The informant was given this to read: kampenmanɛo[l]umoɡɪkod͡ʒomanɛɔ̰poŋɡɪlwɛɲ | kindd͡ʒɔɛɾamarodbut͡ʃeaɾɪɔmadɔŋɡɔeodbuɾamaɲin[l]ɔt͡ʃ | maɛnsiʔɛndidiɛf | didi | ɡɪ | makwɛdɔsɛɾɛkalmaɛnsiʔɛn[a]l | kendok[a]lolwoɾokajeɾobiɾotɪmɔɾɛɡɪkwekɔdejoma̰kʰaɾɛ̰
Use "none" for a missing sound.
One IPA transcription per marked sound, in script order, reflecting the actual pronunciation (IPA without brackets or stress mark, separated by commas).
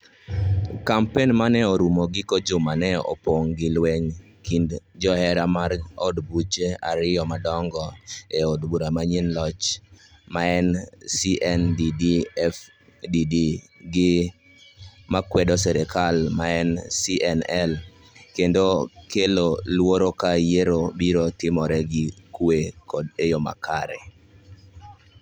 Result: ɾ, l, ɛ, e